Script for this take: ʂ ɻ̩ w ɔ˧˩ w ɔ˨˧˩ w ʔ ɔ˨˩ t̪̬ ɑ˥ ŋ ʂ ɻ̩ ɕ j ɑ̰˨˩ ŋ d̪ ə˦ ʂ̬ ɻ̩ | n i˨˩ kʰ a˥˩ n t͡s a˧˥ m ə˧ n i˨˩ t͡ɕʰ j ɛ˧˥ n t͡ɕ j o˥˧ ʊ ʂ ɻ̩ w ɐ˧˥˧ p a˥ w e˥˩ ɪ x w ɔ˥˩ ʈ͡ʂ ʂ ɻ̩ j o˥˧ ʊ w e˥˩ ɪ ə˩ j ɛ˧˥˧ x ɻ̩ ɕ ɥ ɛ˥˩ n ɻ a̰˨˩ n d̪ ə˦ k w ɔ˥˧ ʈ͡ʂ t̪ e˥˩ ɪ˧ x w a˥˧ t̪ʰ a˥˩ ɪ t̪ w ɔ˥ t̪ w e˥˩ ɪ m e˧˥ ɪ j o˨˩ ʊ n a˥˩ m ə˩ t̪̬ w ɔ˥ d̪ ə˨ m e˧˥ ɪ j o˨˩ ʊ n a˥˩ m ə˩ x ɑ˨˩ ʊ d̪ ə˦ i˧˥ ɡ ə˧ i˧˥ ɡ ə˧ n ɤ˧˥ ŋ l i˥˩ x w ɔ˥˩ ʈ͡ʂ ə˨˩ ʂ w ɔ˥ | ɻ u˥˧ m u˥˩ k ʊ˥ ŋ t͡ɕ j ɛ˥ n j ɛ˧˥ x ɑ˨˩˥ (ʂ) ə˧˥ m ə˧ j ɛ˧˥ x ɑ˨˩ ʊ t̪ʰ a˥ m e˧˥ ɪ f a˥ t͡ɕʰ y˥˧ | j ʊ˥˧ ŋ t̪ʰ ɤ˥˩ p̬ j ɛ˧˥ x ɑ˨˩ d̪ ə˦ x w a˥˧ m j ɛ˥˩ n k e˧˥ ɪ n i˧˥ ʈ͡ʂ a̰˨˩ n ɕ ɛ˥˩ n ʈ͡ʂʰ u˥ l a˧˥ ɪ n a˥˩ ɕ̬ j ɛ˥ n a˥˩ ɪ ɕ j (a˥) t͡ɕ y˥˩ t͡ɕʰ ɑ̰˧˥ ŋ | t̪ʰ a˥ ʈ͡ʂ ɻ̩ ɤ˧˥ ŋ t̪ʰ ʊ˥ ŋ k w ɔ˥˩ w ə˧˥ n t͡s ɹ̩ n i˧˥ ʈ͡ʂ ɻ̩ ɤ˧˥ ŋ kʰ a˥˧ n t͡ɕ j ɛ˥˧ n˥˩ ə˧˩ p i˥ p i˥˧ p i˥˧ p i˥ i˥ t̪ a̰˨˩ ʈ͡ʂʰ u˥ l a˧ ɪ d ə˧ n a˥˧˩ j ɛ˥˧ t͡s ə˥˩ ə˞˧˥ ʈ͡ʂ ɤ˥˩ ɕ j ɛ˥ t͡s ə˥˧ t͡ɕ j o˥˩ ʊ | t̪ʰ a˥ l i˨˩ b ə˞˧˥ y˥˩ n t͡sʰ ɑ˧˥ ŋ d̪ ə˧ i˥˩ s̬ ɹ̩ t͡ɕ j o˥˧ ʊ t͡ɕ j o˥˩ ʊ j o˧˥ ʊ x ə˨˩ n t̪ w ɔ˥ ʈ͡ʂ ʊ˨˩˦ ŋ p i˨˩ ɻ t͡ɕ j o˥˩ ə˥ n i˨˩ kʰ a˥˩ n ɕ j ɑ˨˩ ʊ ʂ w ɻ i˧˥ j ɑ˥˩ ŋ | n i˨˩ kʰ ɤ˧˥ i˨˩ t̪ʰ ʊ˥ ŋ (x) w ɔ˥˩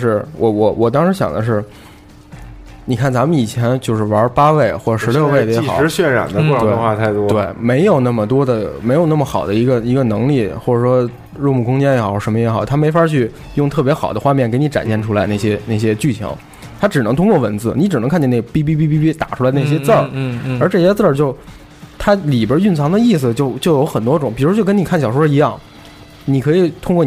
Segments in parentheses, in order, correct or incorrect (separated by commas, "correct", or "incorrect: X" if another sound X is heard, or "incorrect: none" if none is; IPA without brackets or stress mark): correct, incorrect: ɛ˥, incorrect: k